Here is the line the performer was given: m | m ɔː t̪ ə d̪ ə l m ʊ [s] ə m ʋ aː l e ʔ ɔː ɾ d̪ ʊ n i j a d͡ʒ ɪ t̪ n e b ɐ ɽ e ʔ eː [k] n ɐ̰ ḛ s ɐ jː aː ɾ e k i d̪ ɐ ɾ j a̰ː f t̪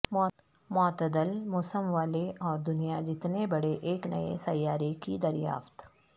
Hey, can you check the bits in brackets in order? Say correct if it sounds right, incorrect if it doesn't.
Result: correct, correct

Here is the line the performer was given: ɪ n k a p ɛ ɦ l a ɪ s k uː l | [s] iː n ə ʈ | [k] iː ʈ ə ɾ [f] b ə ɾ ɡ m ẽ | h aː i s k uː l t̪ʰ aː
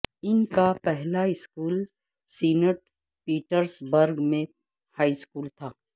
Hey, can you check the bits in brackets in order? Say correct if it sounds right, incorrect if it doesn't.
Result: correct, incorrect: p, incorrect: s

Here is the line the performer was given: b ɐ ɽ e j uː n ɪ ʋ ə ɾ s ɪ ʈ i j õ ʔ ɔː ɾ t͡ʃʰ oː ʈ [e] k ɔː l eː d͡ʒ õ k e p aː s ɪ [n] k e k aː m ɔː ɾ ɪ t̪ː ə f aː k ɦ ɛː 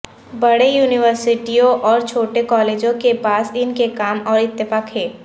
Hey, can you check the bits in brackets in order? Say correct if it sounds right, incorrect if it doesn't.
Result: correct, correct

